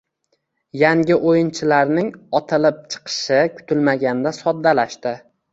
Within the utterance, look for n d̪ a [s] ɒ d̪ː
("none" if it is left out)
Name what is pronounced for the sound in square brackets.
s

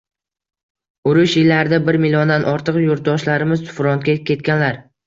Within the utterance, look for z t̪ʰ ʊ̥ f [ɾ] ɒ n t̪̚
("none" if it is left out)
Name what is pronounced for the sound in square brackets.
ɾ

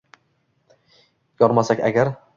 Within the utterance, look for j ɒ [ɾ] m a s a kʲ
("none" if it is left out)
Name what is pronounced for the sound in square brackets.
ɾ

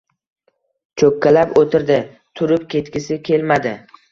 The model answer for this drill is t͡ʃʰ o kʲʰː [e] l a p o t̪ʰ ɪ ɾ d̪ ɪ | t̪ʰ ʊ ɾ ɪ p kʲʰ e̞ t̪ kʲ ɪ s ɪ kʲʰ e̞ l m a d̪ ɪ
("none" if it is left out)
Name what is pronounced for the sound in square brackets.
a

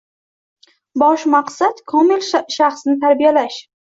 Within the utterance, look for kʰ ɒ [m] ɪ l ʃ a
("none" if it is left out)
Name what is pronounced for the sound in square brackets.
m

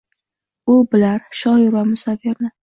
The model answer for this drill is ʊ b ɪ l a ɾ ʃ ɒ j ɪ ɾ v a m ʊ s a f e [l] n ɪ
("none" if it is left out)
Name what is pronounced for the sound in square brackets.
ɾ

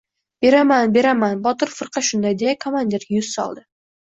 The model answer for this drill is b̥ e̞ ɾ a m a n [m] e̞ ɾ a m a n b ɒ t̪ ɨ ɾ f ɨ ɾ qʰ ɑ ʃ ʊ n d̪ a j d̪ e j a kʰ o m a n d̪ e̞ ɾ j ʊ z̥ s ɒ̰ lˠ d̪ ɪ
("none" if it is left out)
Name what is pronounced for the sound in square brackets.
b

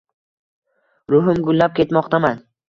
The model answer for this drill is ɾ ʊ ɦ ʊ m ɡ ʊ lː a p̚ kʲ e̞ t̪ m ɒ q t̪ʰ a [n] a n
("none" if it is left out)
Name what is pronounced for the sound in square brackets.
m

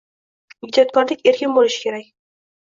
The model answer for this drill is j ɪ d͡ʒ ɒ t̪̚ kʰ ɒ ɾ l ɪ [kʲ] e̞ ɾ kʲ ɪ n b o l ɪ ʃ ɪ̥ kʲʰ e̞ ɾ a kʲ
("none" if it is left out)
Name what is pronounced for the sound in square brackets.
kʲ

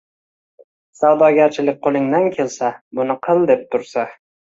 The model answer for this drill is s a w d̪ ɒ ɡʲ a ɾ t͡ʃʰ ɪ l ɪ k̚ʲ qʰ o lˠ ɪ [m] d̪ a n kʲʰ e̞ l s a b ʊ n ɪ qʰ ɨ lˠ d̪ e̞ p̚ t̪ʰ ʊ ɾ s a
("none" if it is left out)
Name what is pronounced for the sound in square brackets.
ŋ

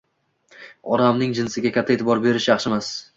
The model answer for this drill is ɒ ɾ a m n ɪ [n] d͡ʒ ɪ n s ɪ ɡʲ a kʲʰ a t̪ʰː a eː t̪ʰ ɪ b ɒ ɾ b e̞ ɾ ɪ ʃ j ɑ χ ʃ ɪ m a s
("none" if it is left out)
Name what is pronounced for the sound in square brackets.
ŋ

